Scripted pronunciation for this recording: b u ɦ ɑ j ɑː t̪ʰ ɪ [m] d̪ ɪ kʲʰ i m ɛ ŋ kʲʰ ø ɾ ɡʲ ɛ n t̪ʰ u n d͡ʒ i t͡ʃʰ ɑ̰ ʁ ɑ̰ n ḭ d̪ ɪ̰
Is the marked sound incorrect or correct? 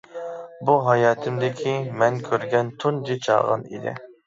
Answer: correct